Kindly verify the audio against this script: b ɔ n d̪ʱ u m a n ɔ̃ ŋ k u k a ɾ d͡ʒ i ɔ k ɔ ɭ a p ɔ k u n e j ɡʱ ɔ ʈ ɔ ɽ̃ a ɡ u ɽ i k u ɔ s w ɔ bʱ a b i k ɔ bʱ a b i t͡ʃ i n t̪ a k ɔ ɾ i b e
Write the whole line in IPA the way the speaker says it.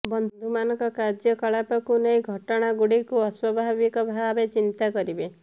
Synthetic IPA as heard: b ɔ n d̪ʱ u m a n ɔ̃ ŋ k ɔ k a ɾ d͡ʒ j ɔ k ɔ ɭ a p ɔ k u n e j ɡʱ ɔ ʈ ɔ ɽ̃ a ɡ u ɽ i k u ɔ s w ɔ bʱ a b i k ɔ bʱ a b e t͡ʃ i n t̪ a k ɔ ɾ i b e